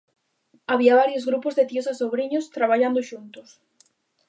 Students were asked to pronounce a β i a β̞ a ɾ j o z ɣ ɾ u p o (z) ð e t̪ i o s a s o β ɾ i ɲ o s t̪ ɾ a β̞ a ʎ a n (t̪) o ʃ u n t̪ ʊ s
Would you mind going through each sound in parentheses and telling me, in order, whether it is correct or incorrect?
correct, incorrect

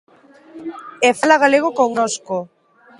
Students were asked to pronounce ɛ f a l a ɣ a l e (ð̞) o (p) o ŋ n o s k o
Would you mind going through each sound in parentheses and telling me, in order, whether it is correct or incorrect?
incorrect, incorrect

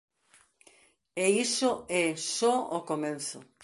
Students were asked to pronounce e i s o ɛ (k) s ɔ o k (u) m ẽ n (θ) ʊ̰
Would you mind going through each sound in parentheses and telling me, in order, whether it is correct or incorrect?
incorrect, incorrect, correct

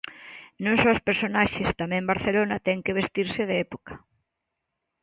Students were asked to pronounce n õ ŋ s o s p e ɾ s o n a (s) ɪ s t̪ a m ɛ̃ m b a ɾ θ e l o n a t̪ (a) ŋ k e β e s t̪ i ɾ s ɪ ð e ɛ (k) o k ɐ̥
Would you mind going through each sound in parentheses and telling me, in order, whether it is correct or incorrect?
incorrect, incorrect, incorrect

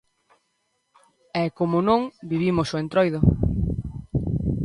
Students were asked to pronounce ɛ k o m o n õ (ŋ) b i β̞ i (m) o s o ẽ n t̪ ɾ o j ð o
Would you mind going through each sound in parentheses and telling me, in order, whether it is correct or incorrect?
correct, correct

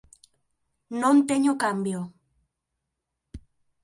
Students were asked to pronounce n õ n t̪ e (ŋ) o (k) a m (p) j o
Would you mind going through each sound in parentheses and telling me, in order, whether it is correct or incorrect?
incorrect, correct, incorrect

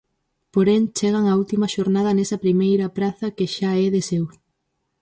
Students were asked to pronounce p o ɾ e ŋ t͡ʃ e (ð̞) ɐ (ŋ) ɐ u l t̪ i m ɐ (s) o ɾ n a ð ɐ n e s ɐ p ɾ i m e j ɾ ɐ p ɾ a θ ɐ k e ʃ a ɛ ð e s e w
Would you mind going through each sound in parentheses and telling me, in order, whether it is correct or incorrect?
incorrect, correct, incorrect

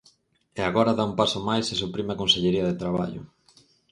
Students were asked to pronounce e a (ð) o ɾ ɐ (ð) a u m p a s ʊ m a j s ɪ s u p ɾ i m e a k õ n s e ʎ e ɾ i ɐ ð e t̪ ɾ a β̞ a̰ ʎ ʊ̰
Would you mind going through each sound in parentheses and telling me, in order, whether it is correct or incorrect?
incorrect, correct

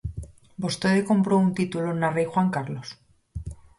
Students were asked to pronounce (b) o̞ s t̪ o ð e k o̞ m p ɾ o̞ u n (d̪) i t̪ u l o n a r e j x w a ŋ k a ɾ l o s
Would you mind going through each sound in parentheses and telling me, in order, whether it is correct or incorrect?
correct, incorrect

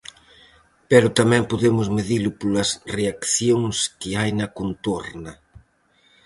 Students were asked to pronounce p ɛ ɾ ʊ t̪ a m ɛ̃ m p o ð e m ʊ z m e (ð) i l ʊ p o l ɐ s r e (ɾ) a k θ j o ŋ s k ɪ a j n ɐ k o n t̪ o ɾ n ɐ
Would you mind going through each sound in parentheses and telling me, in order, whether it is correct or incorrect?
correct, incorrect

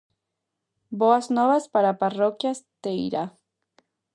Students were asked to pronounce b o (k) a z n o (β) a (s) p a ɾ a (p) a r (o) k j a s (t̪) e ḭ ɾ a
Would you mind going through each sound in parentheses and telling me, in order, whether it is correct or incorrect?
incorrect, correct, correct, correct, correct, correct

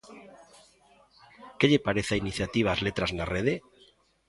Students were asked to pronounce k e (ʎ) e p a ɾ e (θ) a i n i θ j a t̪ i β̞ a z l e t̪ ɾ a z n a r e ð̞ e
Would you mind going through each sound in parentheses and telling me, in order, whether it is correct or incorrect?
correct, correct

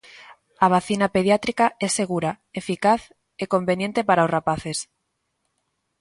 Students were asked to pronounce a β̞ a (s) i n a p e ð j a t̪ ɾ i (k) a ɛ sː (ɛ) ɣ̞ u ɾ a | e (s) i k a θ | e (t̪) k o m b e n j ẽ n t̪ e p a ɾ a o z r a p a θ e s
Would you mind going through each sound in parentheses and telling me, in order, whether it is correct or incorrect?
incorrect, correct, incorrect, incorrect, incorrect

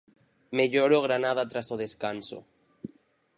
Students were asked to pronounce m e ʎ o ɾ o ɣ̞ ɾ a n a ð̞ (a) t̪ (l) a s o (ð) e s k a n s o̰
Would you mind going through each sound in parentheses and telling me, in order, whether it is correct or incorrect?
correct, incorrect, correct

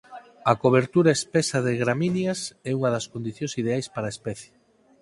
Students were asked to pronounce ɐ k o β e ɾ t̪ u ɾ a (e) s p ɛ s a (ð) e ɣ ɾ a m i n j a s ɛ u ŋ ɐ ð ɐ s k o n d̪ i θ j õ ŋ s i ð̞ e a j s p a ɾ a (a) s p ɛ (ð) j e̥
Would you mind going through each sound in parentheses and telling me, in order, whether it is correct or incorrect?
correct, correct, incorrect, incorrect

